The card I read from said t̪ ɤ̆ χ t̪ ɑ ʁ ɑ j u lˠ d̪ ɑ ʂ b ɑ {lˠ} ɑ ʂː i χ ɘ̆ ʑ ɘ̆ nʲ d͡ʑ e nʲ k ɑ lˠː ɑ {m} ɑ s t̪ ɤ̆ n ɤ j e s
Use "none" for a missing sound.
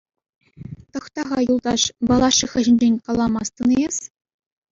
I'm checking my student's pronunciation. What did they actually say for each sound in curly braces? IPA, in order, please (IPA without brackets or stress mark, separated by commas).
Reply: lˠ, m